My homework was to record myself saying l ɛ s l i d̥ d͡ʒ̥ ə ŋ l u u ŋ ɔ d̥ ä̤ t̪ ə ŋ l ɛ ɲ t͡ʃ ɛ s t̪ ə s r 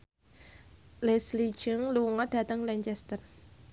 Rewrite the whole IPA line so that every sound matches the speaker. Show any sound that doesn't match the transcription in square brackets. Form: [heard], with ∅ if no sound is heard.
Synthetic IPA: l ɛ s l i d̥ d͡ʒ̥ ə ŋ l u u ŋ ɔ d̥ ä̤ t̪ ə ŋ l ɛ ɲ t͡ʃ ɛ s t̪ ə [∅] r